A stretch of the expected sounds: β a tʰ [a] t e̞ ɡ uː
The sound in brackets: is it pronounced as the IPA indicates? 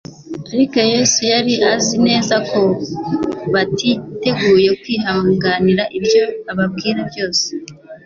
no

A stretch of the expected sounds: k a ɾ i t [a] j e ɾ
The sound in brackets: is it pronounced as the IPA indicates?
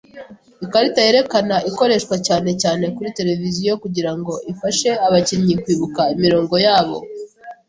yes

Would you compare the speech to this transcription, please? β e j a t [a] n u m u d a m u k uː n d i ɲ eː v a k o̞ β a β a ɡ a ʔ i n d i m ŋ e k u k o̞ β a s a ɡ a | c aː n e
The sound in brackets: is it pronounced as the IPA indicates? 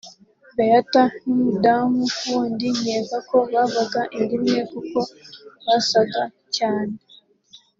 yes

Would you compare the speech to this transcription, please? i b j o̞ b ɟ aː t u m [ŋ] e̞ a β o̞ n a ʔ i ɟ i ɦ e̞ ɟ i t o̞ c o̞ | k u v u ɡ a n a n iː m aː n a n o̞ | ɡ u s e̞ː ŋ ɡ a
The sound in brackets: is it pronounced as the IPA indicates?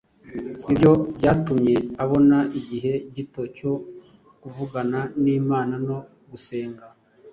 no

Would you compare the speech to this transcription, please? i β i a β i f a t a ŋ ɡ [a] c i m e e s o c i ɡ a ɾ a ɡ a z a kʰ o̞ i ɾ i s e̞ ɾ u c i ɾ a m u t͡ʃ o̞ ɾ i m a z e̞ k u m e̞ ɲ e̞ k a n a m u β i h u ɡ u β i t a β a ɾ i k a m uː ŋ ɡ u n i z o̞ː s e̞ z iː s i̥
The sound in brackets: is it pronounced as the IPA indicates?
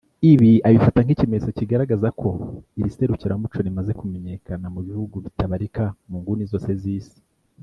no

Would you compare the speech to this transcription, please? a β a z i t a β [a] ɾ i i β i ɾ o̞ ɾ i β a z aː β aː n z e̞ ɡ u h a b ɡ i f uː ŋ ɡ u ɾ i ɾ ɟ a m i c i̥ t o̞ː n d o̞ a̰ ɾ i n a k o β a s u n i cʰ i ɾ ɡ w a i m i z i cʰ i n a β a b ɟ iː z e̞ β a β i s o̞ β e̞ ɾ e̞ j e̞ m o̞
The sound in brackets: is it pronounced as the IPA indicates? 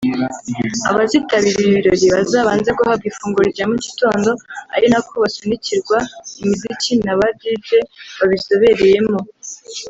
no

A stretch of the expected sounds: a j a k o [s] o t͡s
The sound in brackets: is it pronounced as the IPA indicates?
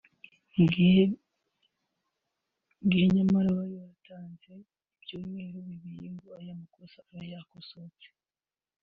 yes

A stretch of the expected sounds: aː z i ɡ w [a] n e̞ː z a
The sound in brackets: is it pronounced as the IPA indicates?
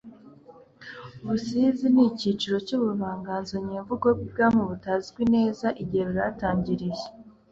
no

